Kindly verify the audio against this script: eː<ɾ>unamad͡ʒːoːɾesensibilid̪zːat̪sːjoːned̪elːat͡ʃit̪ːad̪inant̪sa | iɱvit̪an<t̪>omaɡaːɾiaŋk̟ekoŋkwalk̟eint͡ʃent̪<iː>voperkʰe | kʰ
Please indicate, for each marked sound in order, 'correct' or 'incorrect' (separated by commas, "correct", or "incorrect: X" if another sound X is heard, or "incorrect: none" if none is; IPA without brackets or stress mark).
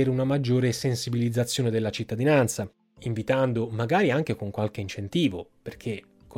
correct, incorrect: d̪, correct